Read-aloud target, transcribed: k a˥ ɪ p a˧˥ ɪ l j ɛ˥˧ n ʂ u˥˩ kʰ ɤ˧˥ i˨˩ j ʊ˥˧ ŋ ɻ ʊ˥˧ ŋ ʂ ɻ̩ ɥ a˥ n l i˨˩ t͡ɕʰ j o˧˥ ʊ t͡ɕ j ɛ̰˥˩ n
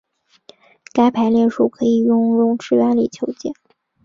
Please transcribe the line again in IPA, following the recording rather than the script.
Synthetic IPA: k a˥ ɪ pʰ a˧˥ ɪ l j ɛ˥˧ n ʂ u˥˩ kʰ ɤ˧˥ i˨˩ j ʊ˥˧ ŋ ɻ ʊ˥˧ ŋ ʈ͡ʂ ɻ̩ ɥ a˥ n l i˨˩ t͡ɕʰ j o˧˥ ʊ t͡ɕ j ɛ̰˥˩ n